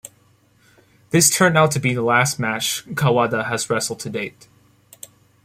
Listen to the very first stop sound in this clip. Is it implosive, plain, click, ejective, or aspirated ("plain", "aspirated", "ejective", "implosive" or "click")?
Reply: aspirated